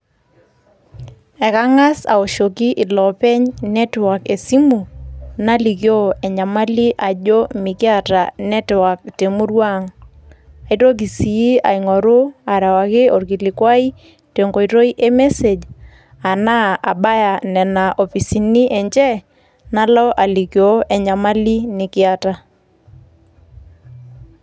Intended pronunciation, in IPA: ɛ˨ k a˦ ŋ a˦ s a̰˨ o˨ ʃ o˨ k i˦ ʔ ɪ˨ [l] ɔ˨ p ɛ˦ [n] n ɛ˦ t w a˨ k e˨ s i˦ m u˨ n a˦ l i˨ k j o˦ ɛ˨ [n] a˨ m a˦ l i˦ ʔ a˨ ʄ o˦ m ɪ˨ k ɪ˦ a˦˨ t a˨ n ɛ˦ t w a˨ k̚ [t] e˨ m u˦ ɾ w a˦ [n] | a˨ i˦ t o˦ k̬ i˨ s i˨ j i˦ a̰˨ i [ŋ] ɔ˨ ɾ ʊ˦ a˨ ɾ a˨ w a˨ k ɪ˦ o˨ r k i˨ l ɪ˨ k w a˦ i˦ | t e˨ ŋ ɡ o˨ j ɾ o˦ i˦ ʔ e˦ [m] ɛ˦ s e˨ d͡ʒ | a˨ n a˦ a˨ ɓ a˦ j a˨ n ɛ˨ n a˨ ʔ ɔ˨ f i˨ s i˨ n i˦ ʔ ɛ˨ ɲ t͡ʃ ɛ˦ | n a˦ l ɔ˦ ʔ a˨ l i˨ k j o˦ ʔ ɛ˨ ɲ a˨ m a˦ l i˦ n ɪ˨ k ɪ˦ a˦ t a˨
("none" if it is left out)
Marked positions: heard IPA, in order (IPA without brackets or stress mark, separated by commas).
l, ɲ, ɲ, t, ŋ, ŋ, m